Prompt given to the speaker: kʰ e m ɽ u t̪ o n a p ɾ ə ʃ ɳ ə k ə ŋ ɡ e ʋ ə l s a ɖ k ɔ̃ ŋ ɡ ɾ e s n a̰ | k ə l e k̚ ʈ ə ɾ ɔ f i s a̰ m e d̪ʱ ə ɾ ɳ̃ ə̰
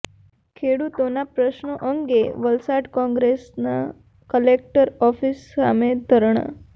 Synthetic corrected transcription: kʰ e ɽ u t̪ o n a p ɾ ə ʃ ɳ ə ʔ ə ŋ ɡ e ʋ ə l s a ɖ k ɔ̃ ŋ ɡ ɾ e s n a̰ | k ə l e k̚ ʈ ə ɾ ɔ f i s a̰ m e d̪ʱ ə ɾ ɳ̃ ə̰